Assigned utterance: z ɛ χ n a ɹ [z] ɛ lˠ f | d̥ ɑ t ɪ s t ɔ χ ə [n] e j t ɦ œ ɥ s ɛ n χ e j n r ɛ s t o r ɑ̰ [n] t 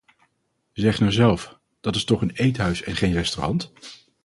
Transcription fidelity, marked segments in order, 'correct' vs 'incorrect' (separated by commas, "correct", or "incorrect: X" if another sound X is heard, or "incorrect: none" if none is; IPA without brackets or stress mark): correct, correct, correct